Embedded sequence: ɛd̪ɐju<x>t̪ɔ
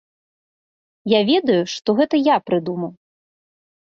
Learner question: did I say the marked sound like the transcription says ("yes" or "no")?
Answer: no